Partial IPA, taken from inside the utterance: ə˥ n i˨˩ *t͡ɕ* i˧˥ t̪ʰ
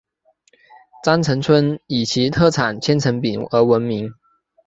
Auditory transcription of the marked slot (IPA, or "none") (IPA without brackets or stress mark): t͡ɕʰ